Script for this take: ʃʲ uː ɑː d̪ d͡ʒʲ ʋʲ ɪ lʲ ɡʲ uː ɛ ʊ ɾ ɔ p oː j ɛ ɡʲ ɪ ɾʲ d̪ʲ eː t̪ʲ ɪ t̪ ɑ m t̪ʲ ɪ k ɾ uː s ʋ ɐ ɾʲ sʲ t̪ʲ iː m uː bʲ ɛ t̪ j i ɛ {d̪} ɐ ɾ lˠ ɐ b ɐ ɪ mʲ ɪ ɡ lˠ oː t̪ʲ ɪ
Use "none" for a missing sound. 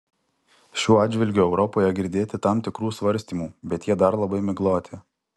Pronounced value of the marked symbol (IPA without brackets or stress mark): d̪